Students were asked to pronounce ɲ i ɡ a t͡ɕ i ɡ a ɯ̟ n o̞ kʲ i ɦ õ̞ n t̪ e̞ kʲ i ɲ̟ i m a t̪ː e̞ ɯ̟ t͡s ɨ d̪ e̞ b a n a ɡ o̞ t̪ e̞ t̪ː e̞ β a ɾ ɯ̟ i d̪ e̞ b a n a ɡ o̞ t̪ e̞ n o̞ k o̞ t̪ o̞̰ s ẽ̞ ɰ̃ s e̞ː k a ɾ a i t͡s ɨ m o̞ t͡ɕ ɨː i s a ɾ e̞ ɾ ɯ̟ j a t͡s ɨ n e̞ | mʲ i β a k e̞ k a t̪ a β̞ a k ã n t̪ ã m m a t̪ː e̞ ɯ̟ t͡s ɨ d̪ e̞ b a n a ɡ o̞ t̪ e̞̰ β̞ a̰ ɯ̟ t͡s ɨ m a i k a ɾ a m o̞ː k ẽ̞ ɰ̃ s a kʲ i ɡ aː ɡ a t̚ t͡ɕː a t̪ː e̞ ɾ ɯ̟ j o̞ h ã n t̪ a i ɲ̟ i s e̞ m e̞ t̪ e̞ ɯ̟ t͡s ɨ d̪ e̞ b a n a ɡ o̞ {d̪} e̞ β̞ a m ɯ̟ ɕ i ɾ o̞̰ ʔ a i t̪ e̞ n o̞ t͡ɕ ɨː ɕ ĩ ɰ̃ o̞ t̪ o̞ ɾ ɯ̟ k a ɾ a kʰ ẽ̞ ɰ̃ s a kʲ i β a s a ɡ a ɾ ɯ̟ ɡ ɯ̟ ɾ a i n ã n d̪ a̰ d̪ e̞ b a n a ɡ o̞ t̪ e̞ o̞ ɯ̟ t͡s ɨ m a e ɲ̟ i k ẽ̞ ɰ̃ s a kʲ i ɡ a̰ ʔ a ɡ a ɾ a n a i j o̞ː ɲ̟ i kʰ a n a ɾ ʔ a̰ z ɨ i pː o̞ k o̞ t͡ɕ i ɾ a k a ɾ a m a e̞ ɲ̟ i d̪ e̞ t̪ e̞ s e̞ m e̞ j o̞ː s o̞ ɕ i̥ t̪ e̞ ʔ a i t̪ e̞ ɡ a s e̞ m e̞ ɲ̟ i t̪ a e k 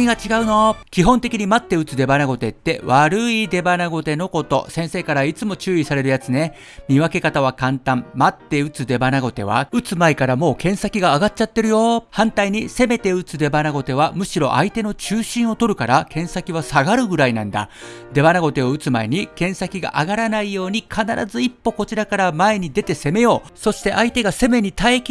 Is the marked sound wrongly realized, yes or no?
yes